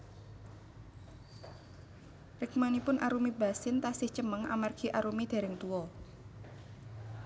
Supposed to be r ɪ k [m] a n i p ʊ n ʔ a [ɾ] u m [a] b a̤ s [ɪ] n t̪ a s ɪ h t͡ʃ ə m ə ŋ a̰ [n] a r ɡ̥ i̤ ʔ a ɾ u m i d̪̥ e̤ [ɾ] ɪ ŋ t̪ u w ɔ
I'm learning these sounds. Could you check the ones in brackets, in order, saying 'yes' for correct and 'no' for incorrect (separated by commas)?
yes, yes, no, yes, no, yes